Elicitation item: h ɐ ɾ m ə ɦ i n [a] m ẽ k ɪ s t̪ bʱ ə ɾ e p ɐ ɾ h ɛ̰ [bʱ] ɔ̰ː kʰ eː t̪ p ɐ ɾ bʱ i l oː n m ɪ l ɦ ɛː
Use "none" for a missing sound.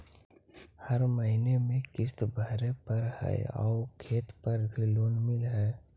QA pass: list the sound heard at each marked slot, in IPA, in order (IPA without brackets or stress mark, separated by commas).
e, none